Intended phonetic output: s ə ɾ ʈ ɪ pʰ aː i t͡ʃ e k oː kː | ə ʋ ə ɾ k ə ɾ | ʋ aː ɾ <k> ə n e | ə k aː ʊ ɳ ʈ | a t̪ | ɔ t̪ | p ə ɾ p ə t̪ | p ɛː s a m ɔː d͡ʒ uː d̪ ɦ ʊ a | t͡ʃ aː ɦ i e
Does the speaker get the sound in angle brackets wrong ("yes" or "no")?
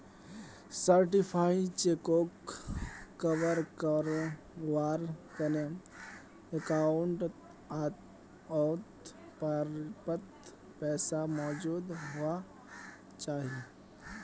no